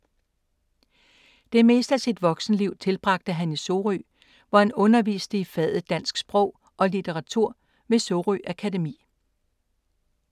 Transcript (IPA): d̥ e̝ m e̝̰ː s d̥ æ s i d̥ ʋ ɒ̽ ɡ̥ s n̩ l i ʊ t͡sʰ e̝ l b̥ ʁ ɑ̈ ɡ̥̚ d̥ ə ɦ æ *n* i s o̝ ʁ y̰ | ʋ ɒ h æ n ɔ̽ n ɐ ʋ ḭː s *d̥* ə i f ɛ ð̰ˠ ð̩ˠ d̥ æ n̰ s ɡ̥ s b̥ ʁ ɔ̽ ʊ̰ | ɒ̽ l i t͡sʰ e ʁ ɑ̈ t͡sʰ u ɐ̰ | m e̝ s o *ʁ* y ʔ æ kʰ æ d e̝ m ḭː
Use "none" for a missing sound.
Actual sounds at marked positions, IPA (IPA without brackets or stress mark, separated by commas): n, d̥, ʁ